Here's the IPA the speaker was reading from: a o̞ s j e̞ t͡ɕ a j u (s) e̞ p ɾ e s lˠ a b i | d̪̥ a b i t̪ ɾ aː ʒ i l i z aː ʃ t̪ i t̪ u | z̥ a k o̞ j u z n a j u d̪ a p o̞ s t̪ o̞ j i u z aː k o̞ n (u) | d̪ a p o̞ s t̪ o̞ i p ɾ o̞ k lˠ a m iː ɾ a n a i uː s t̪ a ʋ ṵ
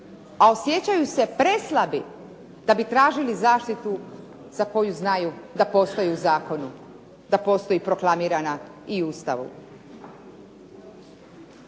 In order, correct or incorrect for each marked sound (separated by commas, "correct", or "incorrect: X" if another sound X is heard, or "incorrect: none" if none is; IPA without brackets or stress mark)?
correct, correct